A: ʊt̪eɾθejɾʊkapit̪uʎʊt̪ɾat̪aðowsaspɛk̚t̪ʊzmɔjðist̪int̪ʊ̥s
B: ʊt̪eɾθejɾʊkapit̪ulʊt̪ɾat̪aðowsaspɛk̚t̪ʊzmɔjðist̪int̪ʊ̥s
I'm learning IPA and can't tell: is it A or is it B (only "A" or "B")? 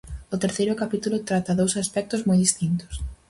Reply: B